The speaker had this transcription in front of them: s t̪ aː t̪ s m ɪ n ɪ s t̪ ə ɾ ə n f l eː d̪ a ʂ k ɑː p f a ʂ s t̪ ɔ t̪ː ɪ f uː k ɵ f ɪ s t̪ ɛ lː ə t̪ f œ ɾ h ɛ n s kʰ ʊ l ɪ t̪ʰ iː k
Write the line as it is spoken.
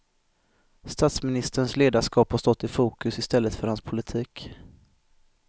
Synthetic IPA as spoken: s t̪ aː t̪ s m ɪ n ɪ s t̪ ə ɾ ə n s l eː d̪ a ʂ k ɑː p h a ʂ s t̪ ɔ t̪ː ɪ f uː k ɵ s ɪ s t̪ ɛ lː ə t̪ f œ ɾ h a n s pʰ ʊ l ɪ t̪ʰ iː k